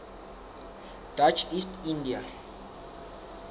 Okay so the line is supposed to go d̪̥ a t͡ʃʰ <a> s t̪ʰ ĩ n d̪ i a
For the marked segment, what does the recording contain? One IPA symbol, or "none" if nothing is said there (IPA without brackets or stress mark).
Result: i